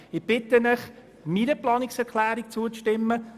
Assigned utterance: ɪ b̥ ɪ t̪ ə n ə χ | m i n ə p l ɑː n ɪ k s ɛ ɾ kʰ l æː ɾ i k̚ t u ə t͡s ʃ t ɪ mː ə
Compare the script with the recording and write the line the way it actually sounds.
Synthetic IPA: ɪ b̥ ɪ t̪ ə n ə χ | m i n ə p l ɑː n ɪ k s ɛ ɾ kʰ l æː ɾ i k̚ t͡s u ə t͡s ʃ t ɪ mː ə

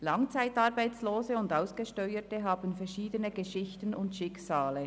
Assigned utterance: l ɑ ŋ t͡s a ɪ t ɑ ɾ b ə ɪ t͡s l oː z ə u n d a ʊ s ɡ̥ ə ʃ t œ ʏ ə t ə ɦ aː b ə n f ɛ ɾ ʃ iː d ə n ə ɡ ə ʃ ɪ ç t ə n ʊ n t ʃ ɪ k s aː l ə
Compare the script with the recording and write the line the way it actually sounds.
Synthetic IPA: l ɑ ŋ t͡s a ɪ t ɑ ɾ b a ɪ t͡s l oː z ə ʊ n d a ʊ s ɡ̥ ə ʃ t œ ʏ ə t ə ɦ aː b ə n f ɛ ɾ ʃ iː d ə n ə ɡ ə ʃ ɪ ç t ə n ʊ n t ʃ ɪ k s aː l ə

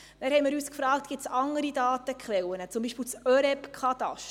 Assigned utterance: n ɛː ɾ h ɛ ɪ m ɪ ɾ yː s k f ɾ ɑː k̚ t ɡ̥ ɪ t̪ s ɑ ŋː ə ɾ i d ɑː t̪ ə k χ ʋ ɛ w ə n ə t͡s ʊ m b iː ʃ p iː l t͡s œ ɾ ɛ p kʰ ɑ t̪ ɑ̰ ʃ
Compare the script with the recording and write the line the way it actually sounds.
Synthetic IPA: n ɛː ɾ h ɛ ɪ m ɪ ɾ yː s k f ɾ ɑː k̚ t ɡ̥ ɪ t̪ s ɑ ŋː ə ɾ i d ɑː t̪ ə k χ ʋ ɛ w ə n ə t͡s ʊ m b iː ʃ p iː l t͡s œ ɾ ɛ p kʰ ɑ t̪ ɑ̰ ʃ

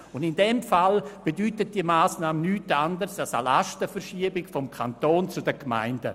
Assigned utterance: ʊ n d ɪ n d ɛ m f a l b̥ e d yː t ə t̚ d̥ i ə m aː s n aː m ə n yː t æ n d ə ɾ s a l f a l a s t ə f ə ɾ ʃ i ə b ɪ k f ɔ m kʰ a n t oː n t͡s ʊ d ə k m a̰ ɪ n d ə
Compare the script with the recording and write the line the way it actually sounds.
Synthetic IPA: ʊ n d ɪ n d ɛ m f a l b̥ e d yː t ə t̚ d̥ i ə m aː s n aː m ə n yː t a n d ə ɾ s a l s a l a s t ə f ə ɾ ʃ i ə b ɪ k f ɔ m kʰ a n t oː n t͡s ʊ d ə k m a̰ ɪ n d ə

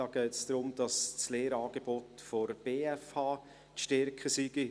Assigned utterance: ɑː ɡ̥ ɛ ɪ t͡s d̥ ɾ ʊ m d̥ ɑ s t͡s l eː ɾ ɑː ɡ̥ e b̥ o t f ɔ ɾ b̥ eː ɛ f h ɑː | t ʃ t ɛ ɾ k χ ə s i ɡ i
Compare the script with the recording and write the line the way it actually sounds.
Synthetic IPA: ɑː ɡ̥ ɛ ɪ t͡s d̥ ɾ ʊ m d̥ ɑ s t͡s l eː ɾ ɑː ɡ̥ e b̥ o t f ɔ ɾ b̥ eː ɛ f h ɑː | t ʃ t ɛ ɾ k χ ə s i ɡ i

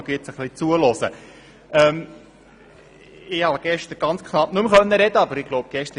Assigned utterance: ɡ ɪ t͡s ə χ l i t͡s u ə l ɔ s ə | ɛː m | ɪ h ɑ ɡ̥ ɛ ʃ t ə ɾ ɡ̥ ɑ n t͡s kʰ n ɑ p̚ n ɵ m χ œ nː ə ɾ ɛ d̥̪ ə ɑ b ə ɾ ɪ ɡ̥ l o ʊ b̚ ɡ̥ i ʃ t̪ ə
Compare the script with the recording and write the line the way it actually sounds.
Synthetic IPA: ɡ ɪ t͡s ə χ l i t͡s u ə l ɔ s ə | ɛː m | ɪ h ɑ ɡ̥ ɛ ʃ t ə ɾ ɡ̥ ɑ n t͡s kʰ n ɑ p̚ n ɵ m χ œ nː ə ɾ ɛ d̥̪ ə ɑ b ə ɾ ɪ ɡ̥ l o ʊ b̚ ɡ̥ ɛ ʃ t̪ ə

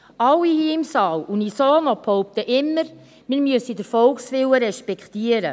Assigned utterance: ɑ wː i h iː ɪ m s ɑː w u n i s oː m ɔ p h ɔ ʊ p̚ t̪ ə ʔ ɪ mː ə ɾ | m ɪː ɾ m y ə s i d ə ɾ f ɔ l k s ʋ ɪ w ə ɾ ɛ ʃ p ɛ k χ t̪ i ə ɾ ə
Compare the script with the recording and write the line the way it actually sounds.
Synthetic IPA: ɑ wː i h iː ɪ m s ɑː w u n i s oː n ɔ p h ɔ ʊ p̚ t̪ ə ʔ ɪ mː ə ɾ | m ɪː ɾ m y ə s i d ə ɾ f ɔ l k s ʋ ɪ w ə ɾ ɛ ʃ p ɛ k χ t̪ i ə ɾ ə

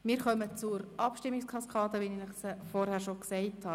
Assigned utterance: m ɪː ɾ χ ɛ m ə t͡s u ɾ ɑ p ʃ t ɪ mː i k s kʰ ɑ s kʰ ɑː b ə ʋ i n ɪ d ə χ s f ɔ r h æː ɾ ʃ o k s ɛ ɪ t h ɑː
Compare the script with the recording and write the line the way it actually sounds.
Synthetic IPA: m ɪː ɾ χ œ m ə t͡s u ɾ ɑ p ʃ t ɪ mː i k s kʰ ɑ s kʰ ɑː d ə ʋ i n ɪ n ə χ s f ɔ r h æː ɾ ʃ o k s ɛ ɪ t h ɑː

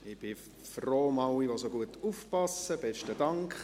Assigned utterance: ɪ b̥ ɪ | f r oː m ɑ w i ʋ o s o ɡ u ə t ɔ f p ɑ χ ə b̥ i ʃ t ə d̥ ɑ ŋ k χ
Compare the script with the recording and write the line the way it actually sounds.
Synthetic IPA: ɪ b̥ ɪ | f r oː m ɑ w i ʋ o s o ɡ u ə t u f p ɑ s ə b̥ ɛ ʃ t ə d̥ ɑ ŋ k χ

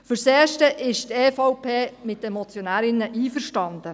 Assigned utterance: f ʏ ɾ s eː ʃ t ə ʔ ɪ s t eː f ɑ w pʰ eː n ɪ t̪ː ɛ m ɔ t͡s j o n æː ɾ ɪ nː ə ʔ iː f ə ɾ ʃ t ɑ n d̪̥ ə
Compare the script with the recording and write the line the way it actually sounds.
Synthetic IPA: f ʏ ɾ s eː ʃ t ə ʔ ɪ ʃ t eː f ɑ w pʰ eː m ɪ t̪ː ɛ m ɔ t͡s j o n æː ɾ ɪ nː ə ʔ iː f ə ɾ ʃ t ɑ n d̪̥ ə

